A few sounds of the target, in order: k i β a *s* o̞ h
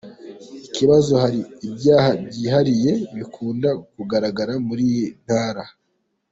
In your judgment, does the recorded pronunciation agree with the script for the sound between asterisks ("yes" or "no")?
no